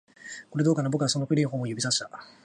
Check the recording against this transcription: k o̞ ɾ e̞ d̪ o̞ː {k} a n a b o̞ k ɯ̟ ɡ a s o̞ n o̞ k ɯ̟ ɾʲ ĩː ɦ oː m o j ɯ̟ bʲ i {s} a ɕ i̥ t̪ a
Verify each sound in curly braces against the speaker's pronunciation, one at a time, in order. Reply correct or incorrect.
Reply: correct, correct

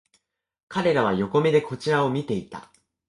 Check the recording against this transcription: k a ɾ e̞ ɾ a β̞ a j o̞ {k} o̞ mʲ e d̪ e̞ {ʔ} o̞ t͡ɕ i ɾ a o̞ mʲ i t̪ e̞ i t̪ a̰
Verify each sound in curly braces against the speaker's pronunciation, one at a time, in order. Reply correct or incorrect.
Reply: correct, incorrect: k

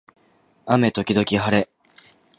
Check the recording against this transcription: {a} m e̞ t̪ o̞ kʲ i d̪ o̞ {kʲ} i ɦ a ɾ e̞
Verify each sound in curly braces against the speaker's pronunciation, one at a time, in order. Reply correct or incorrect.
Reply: correct, correct

